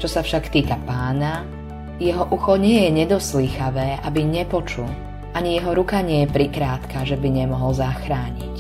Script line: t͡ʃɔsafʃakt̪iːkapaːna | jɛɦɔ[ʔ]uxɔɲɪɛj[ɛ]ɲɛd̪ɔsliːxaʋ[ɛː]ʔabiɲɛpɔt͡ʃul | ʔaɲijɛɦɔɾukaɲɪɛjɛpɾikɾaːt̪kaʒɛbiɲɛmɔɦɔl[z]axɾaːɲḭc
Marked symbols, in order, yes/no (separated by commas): yes, yes, yes, yes